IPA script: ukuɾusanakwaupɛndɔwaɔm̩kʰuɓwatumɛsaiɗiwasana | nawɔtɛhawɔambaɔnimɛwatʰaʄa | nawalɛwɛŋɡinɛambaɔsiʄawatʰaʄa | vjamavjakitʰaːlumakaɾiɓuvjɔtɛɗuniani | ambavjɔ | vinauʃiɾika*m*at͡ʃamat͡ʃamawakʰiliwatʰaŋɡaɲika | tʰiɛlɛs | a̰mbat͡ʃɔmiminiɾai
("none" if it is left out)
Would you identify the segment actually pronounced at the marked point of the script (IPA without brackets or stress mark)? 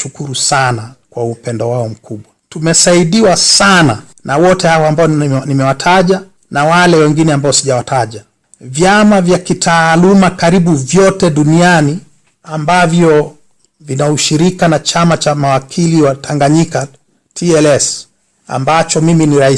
n